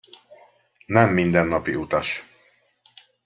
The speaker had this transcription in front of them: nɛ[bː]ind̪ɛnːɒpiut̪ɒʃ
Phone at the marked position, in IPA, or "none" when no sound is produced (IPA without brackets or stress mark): mː